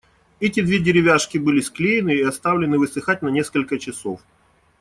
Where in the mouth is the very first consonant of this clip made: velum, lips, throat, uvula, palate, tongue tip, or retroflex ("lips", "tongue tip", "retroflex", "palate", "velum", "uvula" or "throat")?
tongue tip